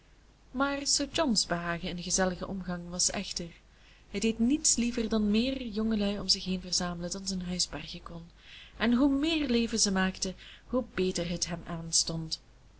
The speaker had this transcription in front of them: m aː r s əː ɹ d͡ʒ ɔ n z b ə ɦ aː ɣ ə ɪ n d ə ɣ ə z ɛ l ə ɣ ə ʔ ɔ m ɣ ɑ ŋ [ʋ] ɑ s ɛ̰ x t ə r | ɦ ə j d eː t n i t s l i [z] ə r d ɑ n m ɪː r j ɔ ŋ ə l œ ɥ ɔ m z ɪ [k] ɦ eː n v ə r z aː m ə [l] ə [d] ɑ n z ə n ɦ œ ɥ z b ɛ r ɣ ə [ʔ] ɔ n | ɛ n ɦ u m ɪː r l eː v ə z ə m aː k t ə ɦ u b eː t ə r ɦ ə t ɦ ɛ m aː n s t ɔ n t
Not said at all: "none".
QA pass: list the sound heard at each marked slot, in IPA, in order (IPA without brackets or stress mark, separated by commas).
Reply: ʋ, v, x, l, d, k